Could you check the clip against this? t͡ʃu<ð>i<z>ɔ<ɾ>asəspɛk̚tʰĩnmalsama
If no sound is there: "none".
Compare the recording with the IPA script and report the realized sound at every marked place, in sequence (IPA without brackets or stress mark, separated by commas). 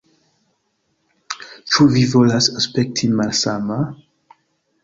v, v, l